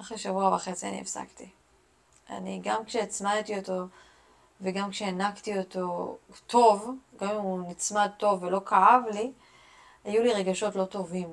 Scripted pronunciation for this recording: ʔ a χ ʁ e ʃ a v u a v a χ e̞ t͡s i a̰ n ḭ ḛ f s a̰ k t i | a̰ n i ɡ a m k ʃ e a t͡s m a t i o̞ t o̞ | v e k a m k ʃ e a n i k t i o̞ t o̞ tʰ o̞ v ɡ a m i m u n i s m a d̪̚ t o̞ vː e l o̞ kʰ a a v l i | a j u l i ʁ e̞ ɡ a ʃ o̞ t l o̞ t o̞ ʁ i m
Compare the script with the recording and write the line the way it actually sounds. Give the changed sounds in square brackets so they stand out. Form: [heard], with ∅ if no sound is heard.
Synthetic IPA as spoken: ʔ a χ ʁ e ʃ a v u a v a χ e̞ t͡s i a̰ n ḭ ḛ f s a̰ k t i | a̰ n i ɡ a m k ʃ e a t͡s m a t i o̞ t o̞ | v e [ɡ] a m k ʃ e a n [a] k t i o̞ t o̞ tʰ o̞ v ɡ a m i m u n i [t͡s] m a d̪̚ t o̞ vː e l o̞ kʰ a a v l i | a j u l i ʁ e̞ ɡ a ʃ o̞ t l o̞ t o̞ [v] i m